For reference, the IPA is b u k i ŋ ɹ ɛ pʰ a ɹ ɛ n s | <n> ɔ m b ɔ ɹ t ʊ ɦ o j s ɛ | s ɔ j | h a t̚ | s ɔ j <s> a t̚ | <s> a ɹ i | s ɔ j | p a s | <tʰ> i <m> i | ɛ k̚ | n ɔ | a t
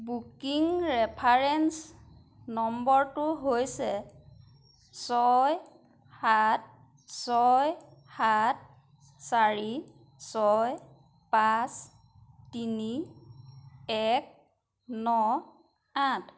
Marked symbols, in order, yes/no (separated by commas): yes, no, yes, no, no